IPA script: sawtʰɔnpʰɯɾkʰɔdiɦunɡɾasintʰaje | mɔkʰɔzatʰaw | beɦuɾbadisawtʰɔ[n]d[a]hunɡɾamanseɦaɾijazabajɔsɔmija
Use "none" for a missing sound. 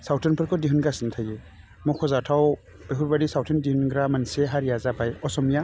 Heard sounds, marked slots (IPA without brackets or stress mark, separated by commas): n, i